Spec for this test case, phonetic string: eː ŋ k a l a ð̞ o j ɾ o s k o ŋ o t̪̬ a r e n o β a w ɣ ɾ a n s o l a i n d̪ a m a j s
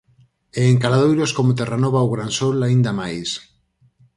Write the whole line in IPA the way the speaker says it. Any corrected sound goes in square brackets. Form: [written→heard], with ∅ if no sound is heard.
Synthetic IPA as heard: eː ŋ k a l a ð̞ o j ɾ o s k o [ŋ→m] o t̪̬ [a→e] r [e→a] n o β a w ɣ ɾ a n s o l a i n d̪ a m a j s